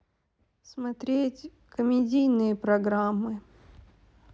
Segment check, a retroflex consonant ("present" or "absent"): absent